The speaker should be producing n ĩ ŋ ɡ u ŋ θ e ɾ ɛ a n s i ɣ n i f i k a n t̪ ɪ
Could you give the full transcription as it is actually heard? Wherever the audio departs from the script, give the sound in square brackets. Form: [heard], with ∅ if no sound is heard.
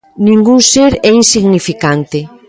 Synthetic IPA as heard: n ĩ ŋ ɡ u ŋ [s] e ɾ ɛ [i] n s i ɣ n i f i k a n t̪ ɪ